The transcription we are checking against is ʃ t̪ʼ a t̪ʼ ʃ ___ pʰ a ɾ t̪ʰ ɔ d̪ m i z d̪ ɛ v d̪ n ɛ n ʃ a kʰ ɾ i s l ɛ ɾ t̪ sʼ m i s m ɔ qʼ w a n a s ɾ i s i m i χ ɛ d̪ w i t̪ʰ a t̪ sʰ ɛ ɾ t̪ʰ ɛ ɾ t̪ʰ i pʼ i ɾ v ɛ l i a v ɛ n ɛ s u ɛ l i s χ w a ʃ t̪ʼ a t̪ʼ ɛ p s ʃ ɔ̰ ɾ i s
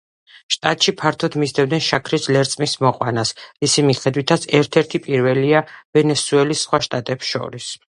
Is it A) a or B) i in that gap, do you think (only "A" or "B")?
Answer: B